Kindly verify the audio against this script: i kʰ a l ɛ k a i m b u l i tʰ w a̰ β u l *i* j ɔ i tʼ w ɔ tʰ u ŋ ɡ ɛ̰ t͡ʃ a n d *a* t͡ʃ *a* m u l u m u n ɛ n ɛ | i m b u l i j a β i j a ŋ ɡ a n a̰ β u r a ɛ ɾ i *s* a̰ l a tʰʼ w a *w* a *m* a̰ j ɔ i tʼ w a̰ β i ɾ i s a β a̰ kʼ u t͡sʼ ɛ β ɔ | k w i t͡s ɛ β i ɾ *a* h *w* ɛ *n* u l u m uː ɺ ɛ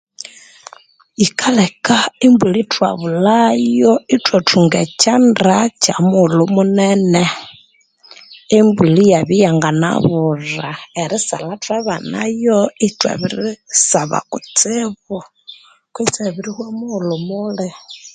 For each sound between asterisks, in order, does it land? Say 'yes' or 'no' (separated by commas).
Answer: no, yes, yes, yes, no, no, no, yes, no